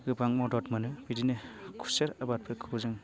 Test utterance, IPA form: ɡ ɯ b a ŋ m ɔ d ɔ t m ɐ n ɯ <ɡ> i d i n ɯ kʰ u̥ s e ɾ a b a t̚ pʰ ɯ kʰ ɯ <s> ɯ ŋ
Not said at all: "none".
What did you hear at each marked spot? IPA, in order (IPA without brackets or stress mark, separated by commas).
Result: b, z